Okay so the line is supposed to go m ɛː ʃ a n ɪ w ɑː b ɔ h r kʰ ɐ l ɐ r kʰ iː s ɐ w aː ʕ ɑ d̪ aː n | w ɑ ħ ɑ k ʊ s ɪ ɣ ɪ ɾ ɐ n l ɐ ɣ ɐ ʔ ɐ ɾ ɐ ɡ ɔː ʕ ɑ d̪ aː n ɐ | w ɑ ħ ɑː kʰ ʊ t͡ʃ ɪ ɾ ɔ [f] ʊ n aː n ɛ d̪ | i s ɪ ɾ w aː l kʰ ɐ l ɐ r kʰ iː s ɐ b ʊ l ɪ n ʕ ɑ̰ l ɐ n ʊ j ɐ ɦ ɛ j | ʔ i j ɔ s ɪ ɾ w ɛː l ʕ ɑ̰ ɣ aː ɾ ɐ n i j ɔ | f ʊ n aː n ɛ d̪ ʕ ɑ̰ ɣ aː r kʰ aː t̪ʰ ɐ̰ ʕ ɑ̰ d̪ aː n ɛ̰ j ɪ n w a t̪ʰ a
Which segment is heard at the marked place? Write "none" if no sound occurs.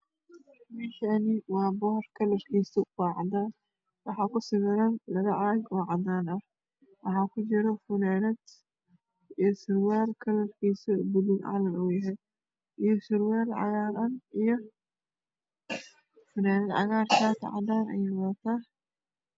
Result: f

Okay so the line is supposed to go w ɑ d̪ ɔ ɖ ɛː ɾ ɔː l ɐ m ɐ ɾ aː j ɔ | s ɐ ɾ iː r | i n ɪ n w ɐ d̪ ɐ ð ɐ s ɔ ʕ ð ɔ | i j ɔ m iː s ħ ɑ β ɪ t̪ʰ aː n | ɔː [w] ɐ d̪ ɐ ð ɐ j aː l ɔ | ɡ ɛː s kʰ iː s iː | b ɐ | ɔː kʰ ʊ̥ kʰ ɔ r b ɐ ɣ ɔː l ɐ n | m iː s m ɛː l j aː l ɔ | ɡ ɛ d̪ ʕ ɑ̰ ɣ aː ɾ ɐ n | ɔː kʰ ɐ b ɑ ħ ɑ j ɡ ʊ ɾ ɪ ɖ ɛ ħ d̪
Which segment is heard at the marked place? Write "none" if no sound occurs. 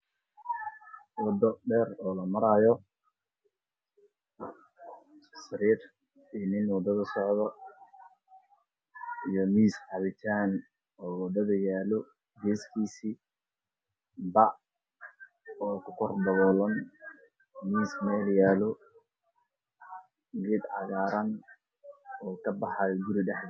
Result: w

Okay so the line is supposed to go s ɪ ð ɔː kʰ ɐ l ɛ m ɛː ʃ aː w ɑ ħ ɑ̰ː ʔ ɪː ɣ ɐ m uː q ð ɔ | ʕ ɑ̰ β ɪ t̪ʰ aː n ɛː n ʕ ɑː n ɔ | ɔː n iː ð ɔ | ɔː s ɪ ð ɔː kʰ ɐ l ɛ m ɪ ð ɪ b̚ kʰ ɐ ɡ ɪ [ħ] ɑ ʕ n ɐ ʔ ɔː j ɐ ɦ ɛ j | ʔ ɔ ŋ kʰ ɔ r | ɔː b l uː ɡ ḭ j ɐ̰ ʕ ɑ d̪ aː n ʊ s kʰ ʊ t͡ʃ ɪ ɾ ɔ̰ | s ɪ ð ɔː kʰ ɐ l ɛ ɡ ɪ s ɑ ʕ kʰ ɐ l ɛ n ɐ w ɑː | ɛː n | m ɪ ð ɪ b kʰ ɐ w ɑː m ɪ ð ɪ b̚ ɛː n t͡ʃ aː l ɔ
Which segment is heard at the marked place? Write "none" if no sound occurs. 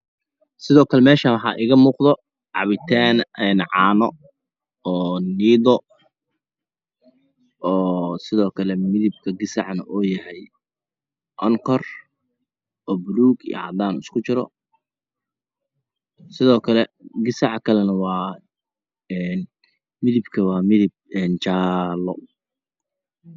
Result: s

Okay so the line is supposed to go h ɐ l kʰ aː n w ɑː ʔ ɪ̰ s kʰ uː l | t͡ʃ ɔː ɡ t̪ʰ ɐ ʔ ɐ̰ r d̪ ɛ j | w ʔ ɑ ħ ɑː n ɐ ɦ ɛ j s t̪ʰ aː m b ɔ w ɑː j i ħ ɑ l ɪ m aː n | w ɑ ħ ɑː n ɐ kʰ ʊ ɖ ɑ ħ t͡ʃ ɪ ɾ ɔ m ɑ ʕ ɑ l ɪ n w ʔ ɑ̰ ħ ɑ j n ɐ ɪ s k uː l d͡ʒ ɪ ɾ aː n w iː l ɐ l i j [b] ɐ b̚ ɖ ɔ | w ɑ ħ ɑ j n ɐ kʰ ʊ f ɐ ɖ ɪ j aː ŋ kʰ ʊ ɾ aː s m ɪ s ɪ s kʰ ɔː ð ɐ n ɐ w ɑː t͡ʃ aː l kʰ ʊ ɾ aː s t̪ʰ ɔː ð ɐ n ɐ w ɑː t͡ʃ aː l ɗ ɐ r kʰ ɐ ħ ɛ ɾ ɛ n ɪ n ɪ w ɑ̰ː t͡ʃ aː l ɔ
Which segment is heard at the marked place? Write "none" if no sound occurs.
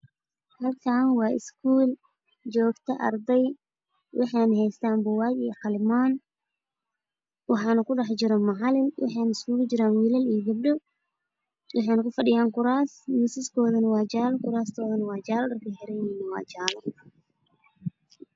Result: ɡ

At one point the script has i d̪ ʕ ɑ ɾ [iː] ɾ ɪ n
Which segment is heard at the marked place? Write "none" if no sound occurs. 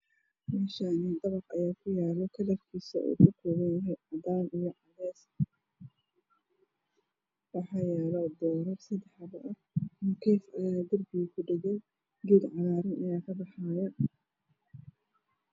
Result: aː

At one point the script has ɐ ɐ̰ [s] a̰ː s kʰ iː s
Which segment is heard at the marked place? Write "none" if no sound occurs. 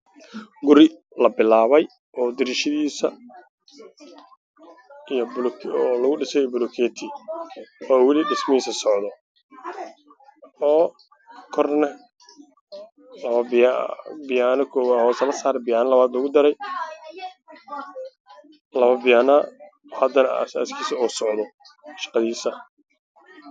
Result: s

